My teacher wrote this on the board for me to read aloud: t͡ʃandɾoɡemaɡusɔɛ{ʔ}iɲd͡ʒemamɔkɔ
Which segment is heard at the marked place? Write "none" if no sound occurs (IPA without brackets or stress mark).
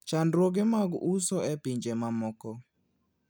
p